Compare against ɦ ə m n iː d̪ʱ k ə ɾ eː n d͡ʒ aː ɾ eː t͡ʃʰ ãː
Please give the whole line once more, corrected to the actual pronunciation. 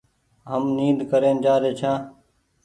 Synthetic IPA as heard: ɦ ə m n iː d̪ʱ k ə ɾ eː n d͡ʒ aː ɾ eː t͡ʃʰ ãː